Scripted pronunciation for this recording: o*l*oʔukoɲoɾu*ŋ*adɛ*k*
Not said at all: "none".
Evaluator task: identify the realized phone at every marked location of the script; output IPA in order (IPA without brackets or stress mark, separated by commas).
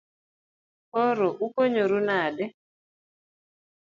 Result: ɾ, n, none